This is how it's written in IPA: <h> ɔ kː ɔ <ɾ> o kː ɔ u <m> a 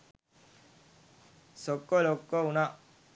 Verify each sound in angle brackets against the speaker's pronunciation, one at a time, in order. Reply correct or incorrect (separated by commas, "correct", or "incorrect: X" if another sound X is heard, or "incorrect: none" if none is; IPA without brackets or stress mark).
incorrect: s, incorrect: l, incorrect: n